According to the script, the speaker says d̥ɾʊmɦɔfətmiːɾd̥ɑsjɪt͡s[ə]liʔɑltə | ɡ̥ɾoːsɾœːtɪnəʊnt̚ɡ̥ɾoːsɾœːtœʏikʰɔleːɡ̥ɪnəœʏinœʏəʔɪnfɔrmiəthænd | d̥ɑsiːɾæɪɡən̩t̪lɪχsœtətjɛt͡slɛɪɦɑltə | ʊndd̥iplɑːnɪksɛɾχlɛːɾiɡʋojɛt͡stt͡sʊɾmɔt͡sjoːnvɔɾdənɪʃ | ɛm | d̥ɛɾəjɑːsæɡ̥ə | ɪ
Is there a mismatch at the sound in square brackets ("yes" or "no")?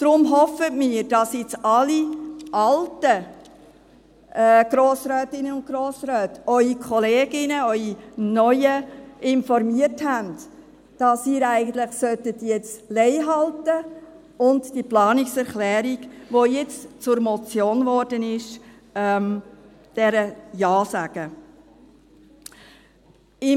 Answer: yes